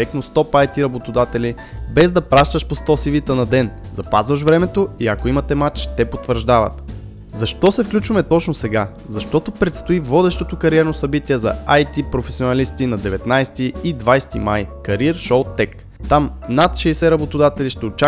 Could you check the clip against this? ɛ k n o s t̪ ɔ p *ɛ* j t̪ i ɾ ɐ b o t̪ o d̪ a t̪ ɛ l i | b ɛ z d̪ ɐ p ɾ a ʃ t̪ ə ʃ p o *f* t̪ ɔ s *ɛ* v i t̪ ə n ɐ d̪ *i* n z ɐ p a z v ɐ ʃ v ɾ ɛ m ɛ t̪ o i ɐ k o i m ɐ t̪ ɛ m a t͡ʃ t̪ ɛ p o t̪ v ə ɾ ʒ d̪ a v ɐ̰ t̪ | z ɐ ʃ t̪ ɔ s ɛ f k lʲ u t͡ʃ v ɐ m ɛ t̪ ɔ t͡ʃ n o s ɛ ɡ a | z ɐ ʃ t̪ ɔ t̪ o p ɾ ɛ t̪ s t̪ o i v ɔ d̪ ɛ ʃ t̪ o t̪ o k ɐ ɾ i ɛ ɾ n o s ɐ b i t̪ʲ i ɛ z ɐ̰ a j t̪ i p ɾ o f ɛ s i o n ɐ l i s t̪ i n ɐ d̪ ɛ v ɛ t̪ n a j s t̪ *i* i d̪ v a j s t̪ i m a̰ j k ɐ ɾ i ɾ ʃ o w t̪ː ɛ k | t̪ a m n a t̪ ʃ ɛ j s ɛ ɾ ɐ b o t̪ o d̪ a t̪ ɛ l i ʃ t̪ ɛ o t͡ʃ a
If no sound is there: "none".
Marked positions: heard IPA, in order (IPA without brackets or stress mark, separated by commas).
a, s, i, ɛ, i